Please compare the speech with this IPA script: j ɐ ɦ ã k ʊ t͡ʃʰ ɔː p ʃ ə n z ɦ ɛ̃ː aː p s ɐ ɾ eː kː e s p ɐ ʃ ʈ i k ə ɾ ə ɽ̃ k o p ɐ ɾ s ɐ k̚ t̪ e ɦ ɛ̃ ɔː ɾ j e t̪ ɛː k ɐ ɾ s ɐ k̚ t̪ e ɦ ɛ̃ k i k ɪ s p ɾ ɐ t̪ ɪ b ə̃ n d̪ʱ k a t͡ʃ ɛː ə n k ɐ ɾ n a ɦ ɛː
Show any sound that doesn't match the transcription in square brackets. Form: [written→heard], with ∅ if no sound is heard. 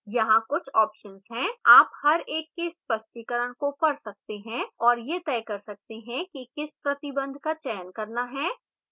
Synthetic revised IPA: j ɐ ɦ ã k ʊ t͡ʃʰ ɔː p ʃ ə n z ɦ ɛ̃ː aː p [s→h] ɐ ɾ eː kː e s p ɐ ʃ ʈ i k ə ɾ ə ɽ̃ k o p ɐ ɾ s ɐ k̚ t̪ e ɦ ɛ̃ ɔː ɾ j e t̪ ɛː k ɐ ɾ s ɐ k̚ t̪ e ɦ ɛ̃ k i k ɪ s p ɾ ɐ t̪ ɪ b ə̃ n d̪ʱ k a t͡ʃ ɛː ə n k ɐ ɾ n a ɦ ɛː

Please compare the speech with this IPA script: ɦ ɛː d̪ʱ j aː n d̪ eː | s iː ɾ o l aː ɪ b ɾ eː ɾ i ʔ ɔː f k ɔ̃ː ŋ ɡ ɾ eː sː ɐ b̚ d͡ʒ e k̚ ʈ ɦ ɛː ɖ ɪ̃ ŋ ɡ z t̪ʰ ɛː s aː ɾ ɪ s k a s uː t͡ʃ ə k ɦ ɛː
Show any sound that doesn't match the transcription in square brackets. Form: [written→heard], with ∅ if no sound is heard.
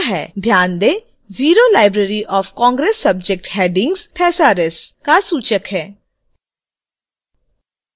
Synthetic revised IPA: ɦ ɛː d̪ʱ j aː n d̪ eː | [s→z] iː ɾ o l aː ɪ b ɾ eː ɾ i ʔ ɔː f k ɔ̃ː ŋ ɡ ɾ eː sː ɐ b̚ d͡ʒ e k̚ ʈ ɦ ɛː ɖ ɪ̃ ŋ ɡ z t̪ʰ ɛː s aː ɾ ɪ s k a s uː t͡ʃ ə k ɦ ɛː

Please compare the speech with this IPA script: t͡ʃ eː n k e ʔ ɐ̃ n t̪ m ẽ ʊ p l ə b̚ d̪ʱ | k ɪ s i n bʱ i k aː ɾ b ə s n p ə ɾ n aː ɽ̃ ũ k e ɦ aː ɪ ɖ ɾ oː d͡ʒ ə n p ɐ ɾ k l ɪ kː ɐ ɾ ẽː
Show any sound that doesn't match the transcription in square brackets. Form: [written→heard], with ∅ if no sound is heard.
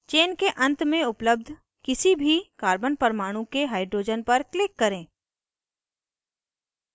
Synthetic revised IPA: t͡ʃ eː n k e ʔ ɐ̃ n t̪ m ẽ ʊ p l ə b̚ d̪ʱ | k ɪ s i [n→∅] bʱ i k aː ɾ b ə [s→∅] n p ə ɾ [n→m] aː ɽ̃ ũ k e ɦ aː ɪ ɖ ɾ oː d͡ʒ ə n p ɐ ɾ k l ɪ kː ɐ ɾ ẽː

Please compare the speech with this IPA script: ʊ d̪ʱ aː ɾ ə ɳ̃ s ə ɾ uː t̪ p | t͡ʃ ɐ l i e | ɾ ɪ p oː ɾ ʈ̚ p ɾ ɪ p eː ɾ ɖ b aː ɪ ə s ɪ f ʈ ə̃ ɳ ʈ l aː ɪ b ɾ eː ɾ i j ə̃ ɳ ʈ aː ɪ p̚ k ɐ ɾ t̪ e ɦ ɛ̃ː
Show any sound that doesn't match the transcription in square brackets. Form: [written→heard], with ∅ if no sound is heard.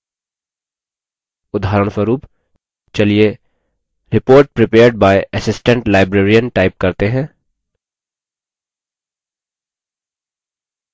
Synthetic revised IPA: ʊ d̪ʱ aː ɾ ə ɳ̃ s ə ɾ uː [t̪→∅] p | t͡ʃ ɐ l i e | ɾ ɪ p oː ɾ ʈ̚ p ɾ ɪ p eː ɾ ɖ b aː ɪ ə s ɪ [f→s] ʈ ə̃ ɳ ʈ l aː ɪ b ɾ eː ɾ i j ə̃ [ɳ→n] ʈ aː ɪ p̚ k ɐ ɾ t̪ e ɦ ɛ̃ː

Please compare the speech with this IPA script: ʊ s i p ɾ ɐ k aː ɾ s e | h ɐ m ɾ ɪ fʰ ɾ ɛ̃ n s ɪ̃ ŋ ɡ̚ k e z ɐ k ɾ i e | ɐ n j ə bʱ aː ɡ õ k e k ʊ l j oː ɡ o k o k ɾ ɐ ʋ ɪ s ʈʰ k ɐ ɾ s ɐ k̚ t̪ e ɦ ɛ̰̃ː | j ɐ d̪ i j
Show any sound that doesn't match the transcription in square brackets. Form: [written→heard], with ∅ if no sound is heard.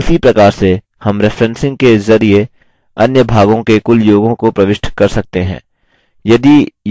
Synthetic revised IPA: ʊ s i p ɾ ɐ k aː ɾ s e | h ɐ m ɾ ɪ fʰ ɾ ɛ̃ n s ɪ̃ ŋ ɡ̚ k e z ɐ [k→∅] ɾ i e | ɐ n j ə bʱ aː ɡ õ k e k ʊ l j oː ɡ [o→õ] k o [k→p] ɾ ɐ ʋ ɪ [s→ʃ] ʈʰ k ɐ ɾ s ɐ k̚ t̪ e ɦ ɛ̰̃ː | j ɐ d̪ i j

